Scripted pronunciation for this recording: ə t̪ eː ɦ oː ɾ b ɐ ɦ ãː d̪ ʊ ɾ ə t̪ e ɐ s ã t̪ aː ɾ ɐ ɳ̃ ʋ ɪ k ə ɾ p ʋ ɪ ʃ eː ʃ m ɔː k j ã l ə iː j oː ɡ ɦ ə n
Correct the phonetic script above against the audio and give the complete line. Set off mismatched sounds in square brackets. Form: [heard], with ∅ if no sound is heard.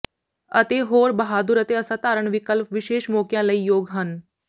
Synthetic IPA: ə t̪ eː ɦ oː ɾ b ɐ ɦ [aː] d̪ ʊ ɾ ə t̪ e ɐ s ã t̪ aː ɾ [ə] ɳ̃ ʋ ɪ k ə [l] p ʋ ɪ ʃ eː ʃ m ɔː k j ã l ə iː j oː ɡ ɦ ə n